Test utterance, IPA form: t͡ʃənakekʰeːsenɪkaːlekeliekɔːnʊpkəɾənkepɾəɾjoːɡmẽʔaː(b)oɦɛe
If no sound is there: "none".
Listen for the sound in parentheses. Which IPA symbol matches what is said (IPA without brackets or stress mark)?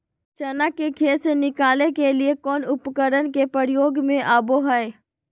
b